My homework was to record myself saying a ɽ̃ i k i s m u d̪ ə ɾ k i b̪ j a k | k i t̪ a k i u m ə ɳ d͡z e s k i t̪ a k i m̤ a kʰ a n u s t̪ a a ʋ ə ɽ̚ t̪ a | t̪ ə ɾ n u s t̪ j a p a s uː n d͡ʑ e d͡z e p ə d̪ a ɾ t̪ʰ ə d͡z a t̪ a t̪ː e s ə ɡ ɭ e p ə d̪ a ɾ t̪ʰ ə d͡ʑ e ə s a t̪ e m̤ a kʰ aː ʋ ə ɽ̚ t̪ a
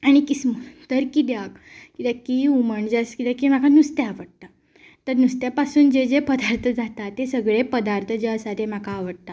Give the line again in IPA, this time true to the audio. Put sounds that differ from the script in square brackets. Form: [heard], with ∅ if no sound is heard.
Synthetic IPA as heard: a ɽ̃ i k i s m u [t̪] ə ɾ k i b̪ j a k | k i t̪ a k i u m ə ɳ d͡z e s k i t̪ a k i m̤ a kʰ a n u s t̪ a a ʋ ə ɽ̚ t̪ a | t̪ ə ɾ n u s t̪ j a p a s uː n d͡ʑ e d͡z e p ə d̪ a ɾ t̪ʰ ə d͡z a t̪ a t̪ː e s ə ɡ ɭ e p ə d̪ a ɾ t̪ʰ ə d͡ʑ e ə s a t̪ e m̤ a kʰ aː ʋ ə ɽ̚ t̪ a